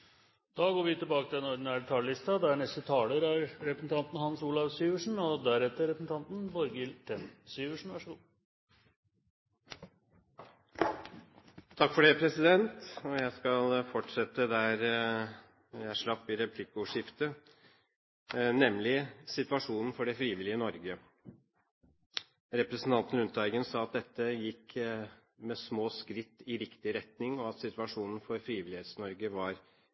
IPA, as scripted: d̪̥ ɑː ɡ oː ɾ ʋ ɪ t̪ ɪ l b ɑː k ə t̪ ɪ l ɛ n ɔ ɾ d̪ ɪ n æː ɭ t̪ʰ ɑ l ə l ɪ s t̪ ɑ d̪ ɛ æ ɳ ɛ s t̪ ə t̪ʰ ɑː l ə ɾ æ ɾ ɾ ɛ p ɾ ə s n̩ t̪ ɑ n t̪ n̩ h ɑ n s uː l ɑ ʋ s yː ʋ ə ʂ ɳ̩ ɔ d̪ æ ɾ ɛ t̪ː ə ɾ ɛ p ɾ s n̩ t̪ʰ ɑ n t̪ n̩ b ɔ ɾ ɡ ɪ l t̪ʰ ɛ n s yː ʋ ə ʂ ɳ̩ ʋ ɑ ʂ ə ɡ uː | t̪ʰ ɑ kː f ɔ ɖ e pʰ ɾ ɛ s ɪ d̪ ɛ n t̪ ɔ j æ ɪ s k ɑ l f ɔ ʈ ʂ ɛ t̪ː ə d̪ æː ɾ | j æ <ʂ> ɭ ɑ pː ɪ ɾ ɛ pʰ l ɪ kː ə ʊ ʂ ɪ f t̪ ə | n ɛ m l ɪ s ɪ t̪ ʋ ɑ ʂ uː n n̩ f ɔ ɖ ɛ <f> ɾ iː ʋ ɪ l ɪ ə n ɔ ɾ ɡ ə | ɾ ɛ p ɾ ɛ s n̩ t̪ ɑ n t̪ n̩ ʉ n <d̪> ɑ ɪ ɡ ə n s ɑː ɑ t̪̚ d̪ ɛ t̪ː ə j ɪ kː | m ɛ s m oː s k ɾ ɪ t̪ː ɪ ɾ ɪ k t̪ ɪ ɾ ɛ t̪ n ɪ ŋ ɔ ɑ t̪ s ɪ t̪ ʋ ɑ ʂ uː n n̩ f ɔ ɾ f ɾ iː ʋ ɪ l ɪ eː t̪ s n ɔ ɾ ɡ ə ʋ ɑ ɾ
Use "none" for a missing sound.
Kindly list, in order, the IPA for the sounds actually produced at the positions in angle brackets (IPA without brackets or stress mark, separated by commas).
ʂ, f, t̪